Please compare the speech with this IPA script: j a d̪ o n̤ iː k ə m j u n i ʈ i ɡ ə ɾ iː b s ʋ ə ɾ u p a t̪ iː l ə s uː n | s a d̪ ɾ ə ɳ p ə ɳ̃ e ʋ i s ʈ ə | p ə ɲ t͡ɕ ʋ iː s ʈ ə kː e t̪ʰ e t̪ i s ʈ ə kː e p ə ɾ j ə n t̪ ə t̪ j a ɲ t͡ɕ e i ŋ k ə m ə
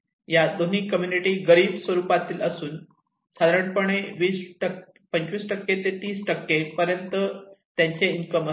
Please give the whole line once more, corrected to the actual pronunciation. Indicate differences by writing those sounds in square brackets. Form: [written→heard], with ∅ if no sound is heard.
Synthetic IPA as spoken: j a d̪ o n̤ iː k ə m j u n i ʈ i ɡ ə ɾ iː b s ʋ ə ɾ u p a t̪ iː l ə s uː n | s a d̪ ɾ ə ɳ p ə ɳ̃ e ʋ [i→iː] s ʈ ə | p ə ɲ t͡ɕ ʋ iː s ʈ ə kː e [t̪ʰ→t̪] e t̪ [i→iː] s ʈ ə kː e p ə ɾ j ə n t̪ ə t̪ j a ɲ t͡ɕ e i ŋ k ə m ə